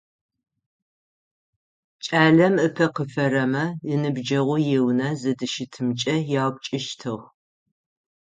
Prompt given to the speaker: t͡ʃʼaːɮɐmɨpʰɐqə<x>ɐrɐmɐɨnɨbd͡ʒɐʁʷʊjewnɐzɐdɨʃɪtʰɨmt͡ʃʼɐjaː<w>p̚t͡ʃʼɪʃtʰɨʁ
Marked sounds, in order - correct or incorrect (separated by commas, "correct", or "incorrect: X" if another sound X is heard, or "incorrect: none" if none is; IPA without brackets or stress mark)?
incorrect: f, correct